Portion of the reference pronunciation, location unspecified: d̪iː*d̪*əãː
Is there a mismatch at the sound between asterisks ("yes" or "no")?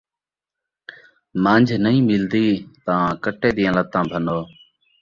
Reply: yes